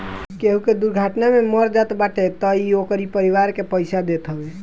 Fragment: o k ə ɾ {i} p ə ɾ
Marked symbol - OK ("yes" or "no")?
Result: yes